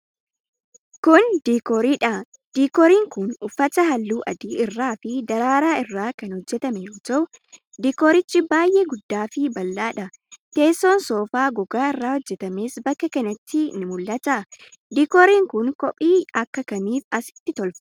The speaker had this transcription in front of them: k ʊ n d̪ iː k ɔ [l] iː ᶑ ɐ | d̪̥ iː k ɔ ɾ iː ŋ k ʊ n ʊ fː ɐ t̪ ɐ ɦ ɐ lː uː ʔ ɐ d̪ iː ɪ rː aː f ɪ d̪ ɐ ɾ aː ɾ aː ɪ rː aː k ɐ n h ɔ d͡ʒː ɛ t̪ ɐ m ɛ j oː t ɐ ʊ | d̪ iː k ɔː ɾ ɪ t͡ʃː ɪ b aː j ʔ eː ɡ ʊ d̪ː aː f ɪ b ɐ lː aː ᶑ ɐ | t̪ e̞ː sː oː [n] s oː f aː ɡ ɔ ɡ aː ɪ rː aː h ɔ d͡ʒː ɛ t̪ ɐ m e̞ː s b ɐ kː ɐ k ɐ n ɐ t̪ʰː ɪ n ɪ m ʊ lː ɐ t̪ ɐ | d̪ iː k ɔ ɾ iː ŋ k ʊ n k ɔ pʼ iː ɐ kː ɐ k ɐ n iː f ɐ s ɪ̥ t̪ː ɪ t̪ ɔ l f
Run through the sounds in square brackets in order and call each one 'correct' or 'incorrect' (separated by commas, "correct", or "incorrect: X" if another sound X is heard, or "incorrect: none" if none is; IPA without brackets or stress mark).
incorrect: ɾ, correct